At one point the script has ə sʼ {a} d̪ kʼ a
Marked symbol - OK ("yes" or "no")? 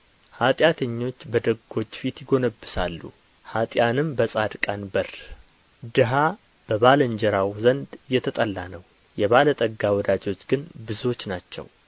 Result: yes